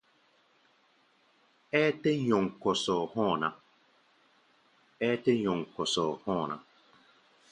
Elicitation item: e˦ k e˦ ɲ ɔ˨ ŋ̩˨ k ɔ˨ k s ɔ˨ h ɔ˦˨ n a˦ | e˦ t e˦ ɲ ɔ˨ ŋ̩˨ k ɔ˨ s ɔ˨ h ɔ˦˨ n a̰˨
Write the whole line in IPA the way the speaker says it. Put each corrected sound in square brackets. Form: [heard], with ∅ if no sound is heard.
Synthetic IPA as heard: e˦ [t] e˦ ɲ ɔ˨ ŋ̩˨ k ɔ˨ [∅] s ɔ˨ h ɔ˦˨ n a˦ | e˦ t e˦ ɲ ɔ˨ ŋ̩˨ k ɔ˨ s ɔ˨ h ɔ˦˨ n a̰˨